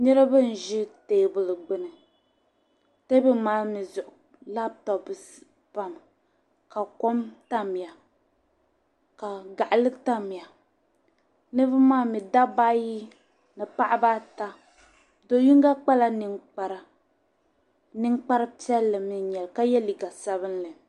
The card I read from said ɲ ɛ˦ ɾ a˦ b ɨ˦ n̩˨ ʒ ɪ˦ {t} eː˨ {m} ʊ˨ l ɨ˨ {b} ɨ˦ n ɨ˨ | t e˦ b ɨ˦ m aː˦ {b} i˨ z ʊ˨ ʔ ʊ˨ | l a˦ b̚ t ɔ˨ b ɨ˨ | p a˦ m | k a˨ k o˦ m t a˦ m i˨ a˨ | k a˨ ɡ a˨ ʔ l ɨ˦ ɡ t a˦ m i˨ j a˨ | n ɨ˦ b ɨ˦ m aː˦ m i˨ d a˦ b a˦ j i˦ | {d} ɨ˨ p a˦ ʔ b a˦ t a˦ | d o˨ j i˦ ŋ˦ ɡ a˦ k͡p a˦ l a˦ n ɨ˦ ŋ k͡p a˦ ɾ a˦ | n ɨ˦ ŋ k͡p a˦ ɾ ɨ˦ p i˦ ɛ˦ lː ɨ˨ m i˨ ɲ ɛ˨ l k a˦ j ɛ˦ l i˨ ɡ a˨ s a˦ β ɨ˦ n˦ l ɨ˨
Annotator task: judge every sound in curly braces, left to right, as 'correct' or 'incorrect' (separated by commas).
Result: correct, incorrect, incorrect, incorrect, incorrect